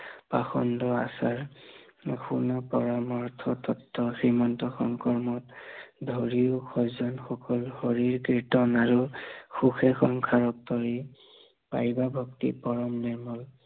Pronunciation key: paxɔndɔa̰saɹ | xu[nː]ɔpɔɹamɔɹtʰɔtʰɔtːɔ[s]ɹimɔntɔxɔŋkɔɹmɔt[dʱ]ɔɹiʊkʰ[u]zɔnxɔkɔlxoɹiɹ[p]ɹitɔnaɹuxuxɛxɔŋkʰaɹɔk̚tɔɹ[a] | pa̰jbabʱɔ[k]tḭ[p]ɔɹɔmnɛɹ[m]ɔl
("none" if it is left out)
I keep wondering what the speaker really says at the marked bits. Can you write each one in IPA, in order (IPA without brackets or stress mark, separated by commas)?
n, x, dʱ, ɔ, k, i, k, p, m